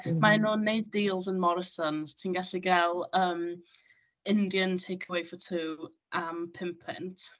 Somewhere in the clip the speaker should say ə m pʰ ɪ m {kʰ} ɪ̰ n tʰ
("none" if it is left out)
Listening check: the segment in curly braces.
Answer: pʰ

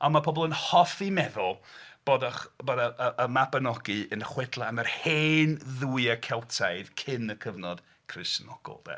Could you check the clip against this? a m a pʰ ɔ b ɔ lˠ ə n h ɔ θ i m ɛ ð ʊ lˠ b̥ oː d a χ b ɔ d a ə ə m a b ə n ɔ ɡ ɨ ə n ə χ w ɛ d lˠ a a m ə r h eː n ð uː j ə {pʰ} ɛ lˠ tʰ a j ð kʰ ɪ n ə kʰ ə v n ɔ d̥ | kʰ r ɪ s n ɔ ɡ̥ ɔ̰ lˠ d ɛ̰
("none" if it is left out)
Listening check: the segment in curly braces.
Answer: kʰ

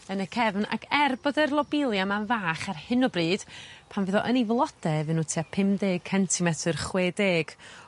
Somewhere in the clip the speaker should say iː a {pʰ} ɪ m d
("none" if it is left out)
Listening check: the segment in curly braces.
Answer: pʰ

